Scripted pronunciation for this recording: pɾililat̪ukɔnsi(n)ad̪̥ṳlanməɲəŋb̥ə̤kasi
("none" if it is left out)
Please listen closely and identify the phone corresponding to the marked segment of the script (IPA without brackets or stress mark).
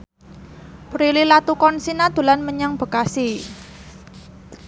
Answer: n